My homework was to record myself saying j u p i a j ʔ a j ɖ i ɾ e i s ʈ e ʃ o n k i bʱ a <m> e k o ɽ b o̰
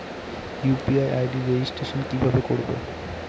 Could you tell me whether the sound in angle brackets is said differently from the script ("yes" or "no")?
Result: yes